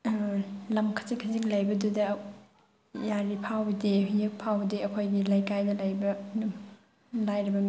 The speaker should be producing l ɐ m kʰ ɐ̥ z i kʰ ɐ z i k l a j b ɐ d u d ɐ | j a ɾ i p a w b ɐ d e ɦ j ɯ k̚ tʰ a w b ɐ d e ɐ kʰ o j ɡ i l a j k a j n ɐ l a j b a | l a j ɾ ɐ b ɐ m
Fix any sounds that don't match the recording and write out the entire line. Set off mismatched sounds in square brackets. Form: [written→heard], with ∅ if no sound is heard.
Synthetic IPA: l ɐ m kʰ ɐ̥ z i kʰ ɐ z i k l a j b ɐ d u d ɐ | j a ɾ i [p→pʰ] a w b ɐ d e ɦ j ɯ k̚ [tʰ→pʰ] a w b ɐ d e ɐ kʰ o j ɡ i l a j k a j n ɐ l a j b [a→ɐ] | l a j ɾ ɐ b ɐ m